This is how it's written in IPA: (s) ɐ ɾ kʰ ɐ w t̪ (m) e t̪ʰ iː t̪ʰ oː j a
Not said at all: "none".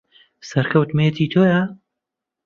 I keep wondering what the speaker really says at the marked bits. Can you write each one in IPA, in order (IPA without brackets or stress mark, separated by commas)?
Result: s, m